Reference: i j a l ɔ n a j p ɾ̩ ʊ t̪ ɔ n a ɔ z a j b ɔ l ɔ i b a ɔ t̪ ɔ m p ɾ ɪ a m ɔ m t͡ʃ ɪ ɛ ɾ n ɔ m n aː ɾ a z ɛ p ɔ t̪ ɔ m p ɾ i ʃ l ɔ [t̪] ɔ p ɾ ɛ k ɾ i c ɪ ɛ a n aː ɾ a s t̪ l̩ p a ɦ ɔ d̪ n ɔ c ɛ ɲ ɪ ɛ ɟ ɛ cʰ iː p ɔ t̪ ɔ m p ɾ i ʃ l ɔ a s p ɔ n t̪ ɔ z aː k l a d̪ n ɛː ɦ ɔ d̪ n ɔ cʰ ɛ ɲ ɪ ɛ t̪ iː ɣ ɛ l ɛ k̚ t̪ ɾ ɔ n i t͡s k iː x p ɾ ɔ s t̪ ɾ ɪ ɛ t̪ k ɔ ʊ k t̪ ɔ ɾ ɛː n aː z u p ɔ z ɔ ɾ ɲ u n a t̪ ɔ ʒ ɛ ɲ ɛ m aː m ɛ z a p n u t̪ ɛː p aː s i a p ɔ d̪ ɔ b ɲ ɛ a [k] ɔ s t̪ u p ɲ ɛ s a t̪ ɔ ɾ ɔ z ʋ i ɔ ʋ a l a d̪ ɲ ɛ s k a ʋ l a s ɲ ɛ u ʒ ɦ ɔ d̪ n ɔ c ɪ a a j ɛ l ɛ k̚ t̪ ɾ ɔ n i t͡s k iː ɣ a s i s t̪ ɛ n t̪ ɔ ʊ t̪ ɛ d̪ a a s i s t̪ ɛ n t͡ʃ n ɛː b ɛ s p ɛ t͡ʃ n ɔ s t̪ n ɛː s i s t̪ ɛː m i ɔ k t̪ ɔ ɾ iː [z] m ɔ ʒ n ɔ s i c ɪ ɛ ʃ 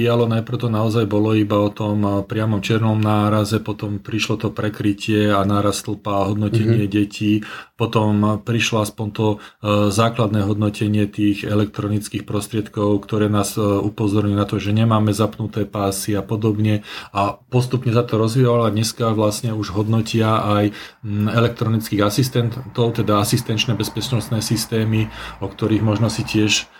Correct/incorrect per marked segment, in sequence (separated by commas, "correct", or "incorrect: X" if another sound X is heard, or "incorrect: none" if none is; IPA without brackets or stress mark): correct, incorrect: p, incorrect: ɣ